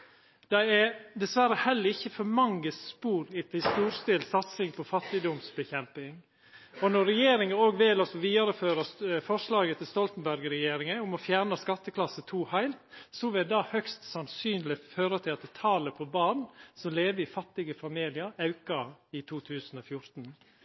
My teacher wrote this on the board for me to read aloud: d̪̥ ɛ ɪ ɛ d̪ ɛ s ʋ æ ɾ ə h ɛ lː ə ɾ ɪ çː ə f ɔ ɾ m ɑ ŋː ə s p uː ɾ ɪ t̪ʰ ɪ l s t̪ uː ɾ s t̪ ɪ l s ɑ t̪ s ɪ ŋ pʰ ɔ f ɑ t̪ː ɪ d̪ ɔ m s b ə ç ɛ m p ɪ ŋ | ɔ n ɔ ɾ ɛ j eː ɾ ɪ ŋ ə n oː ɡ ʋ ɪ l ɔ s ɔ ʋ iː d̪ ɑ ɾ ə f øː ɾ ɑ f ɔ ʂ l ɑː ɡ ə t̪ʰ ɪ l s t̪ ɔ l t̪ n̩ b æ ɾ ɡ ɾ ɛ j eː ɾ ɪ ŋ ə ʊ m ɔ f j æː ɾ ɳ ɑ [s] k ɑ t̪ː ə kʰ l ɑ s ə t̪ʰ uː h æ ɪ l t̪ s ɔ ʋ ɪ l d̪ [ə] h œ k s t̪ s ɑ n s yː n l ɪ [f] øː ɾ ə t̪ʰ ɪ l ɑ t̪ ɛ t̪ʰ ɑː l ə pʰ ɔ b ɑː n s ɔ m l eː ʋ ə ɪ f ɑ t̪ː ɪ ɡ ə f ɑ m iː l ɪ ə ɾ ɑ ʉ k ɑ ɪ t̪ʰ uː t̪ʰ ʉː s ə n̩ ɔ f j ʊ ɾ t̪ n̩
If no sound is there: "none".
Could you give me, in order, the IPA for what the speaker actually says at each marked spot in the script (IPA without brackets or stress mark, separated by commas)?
s, ɑ, f